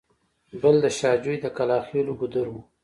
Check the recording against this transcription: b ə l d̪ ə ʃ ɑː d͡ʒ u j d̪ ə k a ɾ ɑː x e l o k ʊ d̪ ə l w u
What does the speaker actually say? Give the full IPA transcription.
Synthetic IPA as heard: b ə l d̪ ə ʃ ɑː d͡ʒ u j d̪ ə k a l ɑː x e l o ɡ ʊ d̪ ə ɾ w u